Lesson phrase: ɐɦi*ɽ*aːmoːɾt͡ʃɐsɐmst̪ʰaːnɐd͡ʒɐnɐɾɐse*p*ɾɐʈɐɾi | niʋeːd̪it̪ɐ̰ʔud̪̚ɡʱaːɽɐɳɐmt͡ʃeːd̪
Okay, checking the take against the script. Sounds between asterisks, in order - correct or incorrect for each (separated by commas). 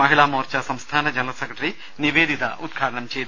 incorrect, incorrect